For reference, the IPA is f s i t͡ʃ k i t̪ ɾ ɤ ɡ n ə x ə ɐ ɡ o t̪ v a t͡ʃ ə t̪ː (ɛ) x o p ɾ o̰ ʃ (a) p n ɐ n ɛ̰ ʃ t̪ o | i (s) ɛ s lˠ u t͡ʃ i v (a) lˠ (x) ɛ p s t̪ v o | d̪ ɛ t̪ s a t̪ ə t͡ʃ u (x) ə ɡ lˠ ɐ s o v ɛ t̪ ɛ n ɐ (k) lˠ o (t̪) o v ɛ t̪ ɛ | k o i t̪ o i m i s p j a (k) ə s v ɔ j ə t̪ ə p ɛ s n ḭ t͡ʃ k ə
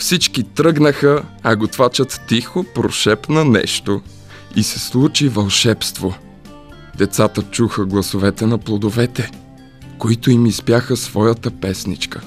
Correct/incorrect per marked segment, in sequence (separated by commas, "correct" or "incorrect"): incorrect, incorrect, correct, incorrect, incorrect, correct, incorrect, incorrect, incorrect